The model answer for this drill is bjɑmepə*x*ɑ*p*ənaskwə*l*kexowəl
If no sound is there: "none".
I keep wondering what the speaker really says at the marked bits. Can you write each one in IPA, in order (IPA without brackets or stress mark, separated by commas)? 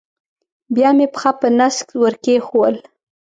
x, p, ɾ